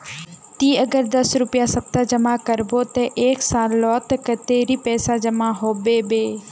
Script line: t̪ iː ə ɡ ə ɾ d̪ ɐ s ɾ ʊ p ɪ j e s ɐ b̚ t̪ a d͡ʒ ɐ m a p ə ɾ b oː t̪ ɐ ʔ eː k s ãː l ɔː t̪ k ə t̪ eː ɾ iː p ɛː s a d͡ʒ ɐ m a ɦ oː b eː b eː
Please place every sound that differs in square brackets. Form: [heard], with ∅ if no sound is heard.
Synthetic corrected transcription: t̪ iː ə ɡ ə ɾ d̪ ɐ s ɾ ʊ p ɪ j [a] s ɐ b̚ t̪ a d͡ʒ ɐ m a [k] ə ɾ b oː t̪ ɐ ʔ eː k s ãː l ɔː t̪ k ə t̪ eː ɾ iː p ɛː s a d͡ʒ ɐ m a ɦ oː b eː b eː